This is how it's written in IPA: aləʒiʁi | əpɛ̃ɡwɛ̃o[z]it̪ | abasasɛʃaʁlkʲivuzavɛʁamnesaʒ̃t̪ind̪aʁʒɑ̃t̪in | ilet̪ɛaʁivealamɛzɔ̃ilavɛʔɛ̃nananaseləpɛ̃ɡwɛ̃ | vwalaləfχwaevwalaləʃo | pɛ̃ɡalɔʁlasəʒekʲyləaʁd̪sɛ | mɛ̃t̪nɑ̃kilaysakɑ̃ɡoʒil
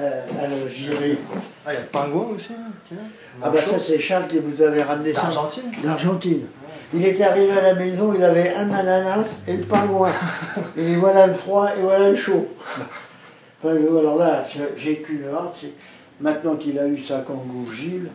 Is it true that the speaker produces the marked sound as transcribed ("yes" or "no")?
no